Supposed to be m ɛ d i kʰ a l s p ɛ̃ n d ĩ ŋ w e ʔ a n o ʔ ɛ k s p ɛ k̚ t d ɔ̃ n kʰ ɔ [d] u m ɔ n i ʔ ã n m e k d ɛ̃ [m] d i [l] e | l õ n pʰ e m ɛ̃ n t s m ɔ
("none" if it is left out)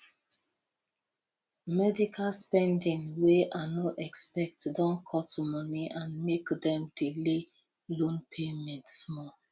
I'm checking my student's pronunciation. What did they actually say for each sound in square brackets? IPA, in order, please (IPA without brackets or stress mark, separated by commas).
t, m, l